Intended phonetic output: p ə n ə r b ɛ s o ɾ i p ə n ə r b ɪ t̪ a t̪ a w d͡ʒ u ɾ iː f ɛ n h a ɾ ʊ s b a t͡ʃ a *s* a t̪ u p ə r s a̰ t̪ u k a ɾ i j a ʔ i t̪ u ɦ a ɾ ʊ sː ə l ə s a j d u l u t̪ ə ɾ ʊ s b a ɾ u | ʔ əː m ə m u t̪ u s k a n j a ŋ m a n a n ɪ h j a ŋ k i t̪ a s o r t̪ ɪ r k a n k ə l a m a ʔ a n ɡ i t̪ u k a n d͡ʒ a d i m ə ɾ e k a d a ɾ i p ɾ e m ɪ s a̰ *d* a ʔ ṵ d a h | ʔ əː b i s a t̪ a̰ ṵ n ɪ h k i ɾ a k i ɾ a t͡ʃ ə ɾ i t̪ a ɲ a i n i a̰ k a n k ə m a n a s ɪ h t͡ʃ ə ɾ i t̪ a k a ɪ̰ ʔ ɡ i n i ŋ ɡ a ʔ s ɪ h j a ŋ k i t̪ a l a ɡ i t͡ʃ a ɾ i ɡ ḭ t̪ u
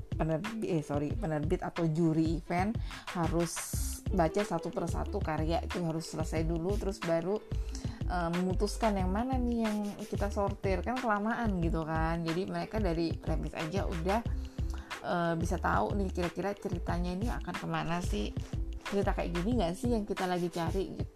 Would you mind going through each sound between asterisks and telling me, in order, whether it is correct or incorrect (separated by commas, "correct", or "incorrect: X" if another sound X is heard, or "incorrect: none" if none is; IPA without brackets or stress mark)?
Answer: correct, incorrect: d͡ʒ